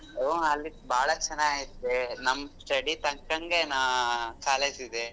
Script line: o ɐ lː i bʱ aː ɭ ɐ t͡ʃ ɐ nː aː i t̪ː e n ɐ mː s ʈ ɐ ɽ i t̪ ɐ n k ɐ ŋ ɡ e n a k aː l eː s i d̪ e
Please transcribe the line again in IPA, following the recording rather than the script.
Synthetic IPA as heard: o ɐ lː i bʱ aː ɭ ɐ t͡ʃ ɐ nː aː i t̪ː e n ɐ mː s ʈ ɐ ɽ i t̪ ɐ ŋ k ɐ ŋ ɡ e n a k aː l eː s i d̪ e